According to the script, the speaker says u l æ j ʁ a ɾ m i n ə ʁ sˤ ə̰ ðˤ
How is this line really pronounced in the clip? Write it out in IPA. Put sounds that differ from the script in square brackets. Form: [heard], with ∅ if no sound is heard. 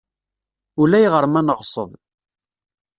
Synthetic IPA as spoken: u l æ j ʁ [ə] ɾ m [æ] n ə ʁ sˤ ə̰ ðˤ